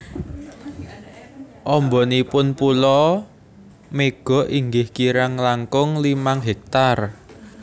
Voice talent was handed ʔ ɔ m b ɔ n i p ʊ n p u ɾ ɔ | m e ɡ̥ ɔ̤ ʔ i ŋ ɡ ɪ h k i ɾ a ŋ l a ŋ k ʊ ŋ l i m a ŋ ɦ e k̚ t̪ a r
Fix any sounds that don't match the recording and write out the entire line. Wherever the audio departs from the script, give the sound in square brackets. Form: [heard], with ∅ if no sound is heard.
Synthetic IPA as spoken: ʔ ɔ m b ɔ n i p ʊ n p u [l] ɔ | m e ɡ̥ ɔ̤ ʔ i ŋ ɡ ɪ h k i ɾ a ŋ l a ŋ k ʊ ŋ l i m a ŋ ɦ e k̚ t̪ a r